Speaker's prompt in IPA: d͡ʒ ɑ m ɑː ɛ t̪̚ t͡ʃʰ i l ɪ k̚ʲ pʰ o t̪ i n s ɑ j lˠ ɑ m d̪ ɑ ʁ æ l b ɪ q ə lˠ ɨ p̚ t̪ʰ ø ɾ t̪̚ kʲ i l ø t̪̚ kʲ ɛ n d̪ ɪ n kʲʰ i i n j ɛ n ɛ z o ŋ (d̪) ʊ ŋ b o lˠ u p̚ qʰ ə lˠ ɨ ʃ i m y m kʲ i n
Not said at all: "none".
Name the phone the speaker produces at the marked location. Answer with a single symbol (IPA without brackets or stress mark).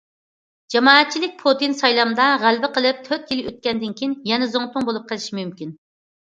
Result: t̪